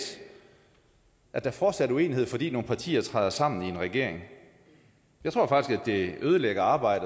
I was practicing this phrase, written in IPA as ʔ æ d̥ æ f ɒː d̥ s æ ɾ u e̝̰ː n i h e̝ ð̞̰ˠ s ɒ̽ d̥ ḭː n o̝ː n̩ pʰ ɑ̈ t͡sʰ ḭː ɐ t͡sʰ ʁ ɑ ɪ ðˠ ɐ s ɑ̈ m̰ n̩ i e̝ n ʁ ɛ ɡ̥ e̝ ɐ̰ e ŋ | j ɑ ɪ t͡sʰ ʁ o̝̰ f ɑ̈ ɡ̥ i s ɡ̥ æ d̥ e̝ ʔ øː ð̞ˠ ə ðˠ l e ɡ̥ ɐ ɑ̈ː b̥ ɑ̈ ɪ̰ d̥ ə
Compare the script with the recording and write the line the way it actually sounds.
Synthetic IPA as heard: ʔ æ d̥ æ f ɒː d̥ s æ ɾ u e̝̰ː n i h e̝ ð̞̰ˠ f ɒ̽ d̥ ḭː n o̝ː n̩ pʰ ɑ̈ t͡sʰ ḭː ɐ t͡sʰ ʁ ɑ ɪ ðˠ ɐ s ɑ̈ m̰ n̩ i e̝ n ʁ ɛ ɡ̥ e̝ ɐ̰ e ŋ | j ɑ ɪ t͡sʰ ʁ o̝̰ f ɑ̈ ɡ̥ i s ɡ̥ æ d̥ e̝ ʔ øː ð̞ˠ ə l e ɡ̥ ɐ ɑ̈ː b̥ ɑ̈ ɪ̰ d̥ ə

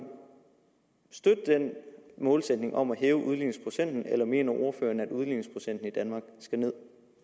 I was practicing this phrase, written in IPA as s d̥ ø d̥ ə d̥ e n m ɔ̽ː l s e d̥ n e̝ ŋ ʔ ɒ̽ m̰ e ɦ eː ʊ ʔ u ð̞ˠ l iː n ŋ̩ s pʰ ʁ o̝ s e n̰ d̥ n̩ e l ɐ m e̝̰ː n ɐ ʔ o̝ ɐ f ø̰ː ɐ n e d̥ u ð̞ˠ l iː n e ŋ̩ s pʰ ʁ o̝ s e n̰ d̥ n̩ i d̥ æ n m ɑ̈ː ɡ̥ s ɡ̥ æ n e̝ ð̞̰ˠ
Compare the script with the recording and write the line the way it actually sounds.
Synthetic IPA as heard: s d̥ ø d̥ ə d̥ e n m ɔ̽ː l s e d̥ n e̝ ŋ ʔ ɒ̽ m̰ æ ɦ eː ʊ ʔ u ð̞ˠ l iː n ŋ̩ s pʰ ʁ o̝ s e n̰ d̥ n̩ e l ɐ m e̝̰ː n ɐ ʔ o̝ ɐ f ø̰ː ɐ n æ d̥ u ð̞ˠ l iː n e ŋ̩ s pʰ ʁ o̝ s e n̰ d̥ n̩ i d̥ æ n m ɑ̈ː ɡ̥ s ɡ̥ æ n e̝ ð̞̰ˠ

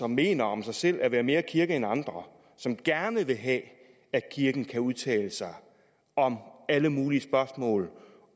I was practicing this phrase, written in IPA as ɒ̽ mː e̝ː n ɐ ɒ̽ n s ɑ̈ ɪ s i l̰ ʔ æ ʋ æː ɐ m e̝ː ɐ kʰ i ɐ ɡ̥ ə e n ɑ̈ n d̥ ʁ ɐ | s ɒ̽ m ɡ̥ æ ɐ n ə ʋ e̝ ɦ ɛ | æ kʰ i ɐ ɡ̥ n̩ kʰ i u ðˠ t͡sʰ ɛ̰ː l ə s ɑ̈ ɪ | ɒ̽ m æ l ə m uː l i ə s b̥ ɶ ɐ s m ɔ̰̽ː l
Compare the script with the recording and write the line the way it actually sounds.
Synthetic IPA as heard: ɒ̽ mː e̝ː n ɐ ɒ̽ m s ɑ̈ ɪ s e l̰ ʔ æ ʋ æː ɐ m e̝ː ɐ kʰ i ɐ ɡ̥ ə e n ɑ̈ n d̥ ʁ ɐ | s ɒ̽ m ɡ̥ æ ɐ n ə ʋ e̝ ɦ ɛ | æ kʰ i ɐ ɡ̥ n̩ kʰ æ u ðˠ t͡sʰ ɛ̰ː l ə s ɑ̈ ɪ | ɒ̽ m æ l ə m uː l i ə s b̥ ɶ ɐ s m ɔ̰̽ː l

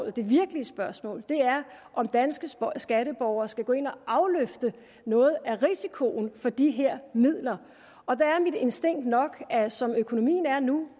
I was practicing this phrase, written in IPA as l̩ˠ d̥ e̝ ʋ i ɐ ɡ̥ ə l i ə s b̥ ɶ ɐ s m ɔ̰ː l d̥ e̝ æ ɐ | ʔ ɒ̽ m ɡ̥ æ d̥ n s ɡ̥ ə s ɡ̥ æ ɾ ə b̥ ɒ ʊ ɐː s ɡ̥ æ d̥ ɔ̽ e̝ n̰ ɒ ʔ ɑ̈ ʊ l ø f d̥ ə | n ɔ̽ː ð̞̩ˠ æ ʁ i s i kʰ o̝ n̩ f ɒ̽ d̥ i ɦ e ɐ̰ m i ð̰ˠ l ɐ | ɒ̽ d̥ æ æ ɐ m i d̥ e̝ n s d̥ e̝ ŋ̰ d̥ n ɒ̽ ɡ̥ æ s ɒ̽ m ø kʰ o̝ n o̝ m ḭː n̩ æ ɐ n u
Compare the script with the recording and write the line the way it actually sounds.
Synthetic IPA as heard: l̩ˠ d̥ e̝ ʋ i ɐ ɡ̥ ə l i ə s b̥ ɶ ɐ s m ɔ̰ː l d̥ e̝ æ ɐ | ʔ ɒ̽ m d̥ æ n s ɡ̥ ə s ɡ̥ æ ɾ ə b̥ ɒ ʊ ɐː s ɡ̥ æ ɡ̥ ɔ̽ e̝ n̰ ɒ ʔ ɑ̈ ʊ l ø f d̥ ə | n ɔ̽ː ð̞̩ˠ æ ʁ i s i kʰ o̝ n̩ f ɒ̽ d̥ i ɦ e ɐ̰ m i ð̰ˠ l ɐ | ɒ̽ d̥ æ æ ɐ m i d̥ e̝ n s d̥ e̝ ŋ̰ d̥ n ɒ̽ ɡ̥ æ s ɒ̽ m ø kʰ o̝ n o̝ m ḭː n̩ æ ɐ n u

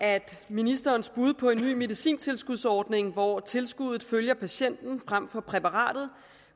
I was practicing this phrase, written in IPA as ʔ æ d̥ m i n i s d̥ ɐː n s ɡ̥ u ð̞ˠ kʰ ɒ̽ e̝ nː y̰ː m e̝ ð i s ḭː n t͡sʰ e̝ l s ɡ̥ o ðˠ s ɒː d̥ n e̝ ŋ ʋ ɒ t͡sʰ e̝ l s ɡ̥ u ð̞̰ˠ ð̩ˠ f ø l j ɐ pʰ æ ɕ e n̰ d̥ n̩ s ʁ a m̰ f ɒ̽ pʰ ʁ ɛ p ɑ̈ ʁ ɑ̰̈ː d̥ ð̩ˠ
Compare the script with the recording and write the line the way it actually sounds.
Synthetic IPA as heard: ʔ æ d̥ m i n i s d̥ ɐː n s b̥ u ð̞ˠ pʰ ɒ̽ e̝ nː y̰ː m e̝ ð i s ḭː n t͡sʰ e̝ l s ɡ̥ u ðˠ s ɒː d̥ n e̝ ŋ ʋ ɒ t͡sʰ e̝ l s ɡ̥ u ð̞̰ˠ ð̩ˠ f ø l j ɐ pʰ æ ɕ e n̰ d̥ n̩ f ʁ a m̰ f ɒ̽ pʰ ʁ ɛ p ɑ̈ ʁ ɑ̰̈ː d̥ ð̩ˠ

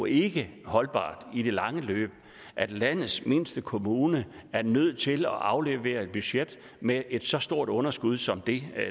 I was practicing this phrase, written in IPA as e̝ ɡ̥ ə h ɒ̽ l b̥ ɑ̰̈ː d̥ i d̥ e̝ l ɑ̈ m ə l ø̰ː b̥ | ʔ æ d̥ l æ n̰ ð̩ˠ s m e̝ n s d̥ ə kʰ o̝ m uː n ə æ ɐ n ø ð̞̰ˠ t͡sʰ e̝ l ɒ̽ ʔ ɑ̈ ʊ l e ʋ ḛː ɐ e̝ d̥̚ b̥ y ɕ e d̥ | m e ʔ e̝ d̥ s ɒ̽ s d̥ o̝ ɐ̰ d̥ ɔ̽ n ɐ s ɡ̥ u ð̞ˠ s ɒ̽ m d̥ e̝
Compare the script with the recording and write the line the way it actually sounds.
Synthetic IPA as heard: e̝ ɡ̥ ə h ɒ̽ l b̥ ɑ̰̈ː d̥ i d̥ e̝ l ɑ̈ ŋ ə l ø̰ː b̥ | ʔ æ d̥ l æ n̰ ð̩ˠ s m e̝ n s d̥ ə kʰ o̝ m uː n ə æ ɐ n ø ð̞̰ˠ t͡sʰ e̝ l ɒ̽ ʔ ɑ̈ ʊ l e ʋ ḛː ɐ e̝ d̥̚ b̥ y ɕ e d̥ | m e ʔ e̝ d̥ s ɒ̽ s d̥ o̝ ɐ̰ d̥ ɔ̽ n ɐ s ɡ̥ u ð̞ˠ s ɒ̽ m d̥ e̝

